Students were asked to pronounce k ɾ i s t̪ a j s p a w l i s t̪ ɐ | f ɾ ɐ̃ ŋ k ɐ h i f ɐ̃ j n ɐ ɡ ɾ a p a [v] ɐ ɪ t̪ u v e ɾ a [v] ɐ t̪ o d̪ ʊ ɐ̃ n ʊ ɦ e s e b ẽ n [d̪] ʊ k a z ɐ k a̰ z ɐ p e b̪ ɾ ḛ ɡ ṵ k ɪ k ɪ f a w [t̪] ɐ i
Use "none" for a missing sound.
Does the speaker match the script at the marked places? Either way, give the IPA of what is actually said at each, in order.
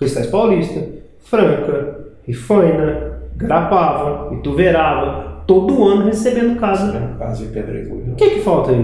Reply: v, v, d̪, t̪

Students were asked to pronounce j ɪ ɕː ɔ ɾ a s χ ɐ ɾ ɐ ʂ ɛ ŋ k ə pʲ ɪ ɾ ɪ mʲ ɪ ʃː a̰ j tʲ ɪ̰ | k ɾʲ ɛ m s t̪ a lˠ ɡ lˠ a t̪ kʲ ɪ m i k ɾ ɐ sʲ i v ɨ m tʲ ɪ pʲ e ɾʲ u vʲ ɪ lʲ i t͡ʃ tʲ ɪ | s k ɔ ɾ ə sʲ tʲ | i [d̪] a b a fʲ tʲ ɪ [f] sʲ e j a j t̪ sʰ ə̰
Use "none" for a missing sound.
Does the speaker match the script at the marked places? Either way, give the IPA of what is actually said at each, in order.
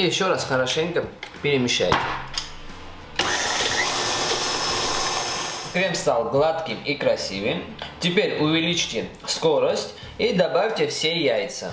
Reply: d̪, f

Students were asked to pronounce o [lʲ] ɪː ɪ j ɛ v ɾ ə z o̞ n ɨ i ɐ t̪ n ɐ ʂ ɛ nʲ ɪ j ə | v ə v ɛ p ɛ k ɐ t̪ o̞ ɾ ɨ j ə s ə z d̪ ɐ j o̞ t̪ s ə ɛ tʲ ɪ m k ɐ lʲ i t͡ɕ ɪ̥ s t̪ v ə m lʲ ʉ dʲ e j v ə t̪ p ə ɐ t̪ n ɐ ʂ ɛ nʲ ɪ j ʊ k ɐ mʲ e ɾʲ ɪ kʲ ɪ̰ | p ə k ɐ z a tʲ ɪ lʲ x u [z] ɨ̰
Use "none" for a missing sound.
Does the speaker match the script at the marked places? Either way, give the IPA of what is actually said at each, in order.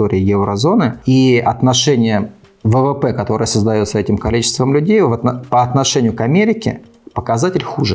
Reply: ɾʲ, ʐ

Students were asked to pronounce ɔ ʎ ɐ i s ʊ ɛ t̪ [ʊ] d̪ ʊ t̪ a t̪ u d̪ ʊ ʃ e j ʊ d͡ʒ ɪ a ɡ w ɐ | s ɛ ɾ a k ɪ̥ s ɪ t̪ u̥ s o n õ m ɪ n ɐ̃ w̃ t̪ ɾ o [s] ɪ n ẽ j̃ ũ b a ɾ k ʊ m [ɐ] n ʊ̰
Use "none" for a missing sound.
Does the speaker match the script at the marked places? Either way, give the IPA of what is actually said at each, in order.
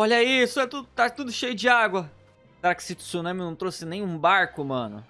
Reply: u, s, ɐ̃

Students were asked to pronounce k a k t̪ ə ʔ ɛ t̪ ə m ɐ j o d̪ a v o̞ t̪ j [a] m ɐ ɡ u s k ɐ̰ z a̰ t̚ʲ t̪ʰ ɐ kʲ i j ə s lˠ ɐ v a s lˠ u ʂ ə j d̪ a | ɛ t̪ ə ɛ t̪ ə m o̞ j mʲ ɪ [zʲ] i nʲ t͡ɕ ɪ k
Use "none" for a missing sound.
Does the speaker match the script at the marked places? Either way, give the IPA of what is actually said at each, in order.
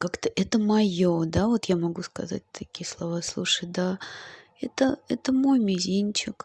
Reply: a, zʲ

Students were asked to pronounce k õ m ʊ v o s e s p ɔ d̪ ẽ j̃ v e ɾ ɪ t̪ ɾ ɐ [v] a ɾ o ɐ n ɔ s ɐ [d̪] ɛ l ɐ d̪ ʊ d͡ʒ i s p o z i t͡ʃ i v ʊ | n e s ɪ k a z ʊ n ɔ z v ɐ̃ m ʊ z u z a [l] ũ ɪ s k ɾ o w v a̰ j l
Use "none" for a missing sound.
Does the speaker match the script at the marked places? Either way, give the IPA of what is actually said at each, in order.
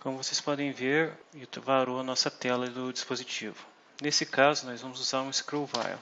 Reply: v, t̪, ɾ

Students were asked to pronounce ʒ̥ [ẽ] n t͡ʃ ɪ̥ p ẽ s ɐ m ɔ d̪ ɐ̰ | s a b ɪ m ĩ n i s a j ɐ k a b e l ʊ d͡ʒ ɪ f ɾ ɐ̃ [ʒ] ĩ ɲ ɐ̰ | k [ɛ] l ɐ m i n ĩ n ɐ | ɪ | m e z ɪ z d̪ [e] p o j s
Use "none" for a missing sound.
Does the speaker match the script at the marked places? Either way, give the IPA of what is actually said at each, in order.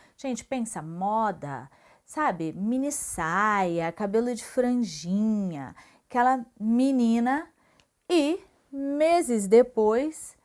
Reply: ẽ, ʒ, ɛ, e

